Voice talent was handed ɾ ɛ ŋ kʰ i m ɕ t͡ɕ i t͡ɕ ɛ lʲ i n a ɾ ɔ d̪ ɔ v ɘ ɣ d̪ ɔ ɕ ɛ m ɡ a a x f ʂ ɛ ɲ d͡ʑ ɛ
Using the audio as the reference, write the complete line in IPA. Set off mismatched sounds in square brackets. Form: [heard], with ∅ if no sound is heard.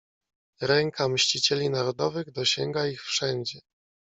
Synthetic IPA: ɾ ɛ ŋ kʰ [a] m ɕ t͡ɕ i t͡ɕ ɛ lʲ i n a ɾ ɔ d̪ ɔ v ɘ ɣ d̪ ɔ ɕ ɛ [ŋ] ɡ a [i] x f ʂ ɛ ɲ d͡ʑ ɛ